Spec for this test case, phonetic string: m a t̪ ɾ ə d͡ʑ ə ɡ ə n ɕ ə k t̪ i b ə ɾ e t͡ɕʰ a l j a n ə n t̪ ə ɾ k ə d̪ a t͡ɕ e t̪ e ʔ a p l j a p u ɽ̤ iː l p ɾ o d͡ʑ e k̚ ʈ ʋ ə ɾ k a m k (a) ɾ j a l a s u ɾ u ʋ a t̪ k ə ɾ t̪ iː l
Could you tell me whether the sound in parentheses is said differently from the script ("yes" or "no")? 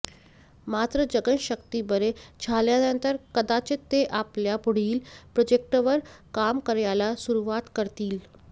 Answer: yes